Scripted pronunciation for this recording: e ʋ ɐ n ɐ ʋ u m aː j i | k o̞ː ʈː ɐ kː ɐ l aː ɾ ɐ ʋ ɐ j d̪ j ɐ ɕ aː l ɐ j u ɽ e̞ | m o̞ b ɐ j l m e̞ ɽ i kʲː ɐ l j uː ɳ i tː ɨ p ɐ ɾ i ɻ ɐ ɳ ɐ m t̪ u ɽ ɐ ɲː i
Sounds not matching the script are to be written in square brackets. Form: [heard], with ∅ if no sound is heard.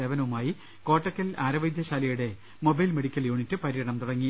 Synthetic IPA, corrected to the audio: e ʋ ɐ n ɐ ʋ u m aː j i | k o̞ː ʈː ɐ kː ɐ l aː ɾ ɐ ʋ ɐ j d̪ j ɐ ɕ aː l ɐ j u ɽ e̞ | m o̞ b ɐ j l m e̞ ɽ i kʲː ɐ l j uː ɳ i tː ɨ p ɐ ɾ i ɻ ɐ ɳ ɐ m t̪ u ɽ ɐ [ŋː] i